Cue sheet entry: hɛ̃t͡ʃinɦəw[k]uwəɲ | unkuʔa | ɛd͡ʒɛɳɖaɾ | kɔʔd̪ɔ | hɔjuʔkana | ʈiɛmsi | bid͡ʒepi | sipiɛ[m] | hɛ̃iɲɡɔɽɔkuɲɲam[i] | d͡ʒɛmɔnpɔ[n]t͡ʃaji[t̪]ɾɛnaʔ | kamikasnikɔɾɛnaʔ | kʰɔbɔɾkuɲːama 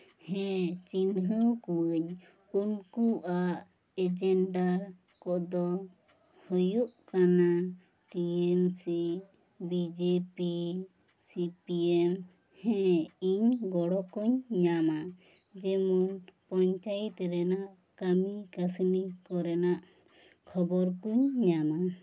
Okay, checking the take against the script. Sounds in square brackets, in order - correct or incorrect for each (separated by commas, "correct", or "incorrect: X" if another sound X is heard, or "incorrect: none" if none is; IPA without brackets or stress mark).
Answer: correct, correct, incorrect: a, incorrect: ɲ, correct